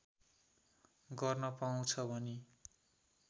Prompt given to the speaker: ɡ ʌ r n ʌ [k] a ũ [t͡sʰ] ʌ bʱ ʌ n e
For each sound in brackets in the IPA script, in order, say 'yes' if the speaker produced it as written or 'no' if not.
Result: no, yes

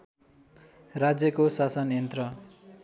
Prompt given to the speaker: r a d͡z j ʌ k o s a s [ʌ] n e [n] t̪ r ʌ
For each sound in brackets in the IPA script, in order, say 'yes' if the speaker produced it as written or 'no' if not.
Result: yes, yes

